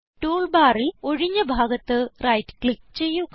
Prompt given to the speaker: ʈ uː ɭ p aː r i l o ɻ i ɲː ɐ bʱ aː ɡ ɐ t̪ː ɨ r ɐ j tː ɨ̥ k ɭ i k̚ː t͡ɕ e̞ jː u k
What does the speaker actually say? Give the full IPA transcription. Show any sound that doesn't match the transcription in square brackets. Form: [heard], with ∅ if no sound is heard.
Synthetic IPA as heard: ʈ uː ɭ [b] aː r i l o ɻ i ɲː ɐ bʱ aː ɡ ɐ t̪ː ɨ r ɐ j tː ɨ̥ k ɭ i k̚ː t͡ɕ e̞ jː u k